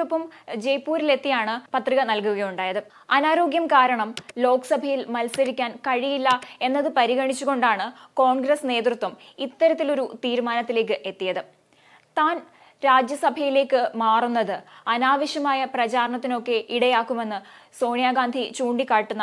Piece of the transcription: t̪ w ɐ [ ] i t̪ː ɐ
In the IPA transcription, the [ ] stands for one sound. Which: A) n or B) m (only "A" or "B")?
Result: B